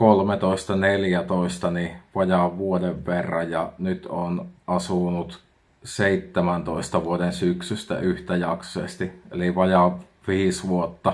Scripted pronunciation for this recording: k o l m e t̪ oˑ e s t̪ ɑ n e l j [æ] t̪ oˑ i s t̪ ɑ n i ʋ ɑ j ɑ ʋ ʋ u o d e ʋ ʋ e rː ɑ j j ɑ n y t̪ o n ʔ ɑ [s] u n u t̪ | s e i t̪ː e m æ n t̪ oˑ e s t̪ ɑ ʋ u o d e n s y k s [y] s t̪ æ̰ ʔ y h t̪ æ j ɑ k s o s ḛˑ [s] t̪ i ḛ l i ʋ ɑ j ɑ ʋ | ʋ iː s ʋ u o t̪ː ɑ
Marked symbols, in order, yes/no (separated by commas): yes, yes, yes, yes